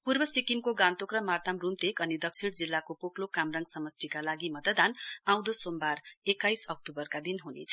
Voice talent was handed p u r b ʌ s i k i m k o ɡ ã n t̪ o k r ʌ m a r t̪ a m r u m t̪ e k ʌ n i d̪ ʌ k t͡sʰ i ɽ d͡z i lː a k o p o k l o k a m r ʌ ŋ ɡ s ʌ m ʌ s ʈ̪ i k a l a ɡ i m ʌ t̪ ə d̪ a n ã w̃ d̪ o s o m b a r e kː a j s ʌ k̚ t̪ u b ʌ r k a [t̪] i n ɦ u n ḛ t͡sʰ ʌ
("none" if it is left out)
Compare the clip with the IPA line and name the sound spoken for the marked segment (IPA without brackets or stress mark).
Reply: d̪